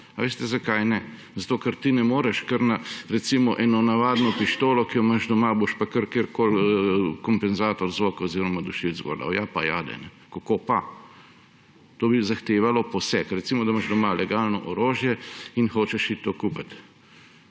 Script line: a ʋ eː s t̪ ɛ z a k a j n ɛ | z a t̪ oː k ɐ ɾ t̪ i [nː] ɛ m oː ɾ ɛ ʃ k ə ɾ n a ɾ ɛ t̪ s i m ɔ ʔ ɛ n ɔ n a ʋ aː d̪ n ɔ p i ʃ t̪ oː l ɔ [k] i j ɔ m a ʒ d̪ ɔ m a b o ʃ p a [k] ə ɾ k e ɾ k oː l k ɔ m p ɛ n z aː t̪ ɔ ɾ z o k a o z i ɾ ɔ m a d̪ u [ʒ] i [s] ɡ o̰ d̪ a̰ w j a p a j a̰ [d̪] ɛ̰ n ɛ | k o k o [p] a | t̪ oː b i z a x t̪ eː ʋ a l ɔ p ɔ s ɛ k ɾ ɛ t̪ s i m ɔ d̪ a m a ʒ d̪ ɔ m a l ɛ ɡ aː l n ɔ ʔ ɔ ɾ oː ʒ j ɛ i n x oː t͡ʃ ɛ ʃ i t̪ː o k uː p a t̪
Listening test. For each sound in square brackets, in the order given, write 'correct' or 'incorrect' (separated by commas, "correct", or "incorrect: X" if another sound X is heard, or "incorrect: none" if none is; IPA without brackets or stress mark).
incorrect: n, correct, correct, incorrect: ʃ, incorrect: z, correct, correct